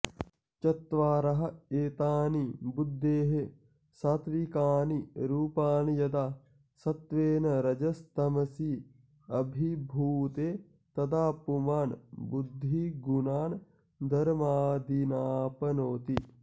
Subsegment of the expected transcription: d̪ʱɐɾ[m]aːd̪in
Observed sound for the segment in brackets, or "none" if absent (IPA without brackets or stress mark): m